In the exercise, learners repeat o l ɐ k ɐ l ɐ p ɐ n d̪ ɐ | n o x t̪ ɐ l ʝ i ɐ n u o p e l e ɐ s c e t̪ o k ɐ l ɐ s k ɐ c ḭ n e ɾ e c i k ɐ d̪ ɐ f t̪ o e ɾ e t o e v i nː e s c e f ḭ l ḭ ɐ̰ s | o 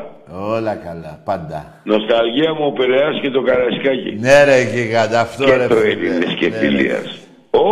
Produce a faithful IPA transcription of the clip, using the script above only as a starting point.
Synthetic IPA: o l ɐ k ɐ l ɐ p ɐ n d̪ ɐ | n o s t̪ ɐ l ʝ i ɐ m u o p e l e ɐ s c e t̪ o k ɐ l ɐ s k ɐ c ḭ n e ɾ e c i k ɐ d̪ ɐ f t̪ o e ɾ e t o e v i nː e s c e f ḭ l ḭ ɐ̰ s | o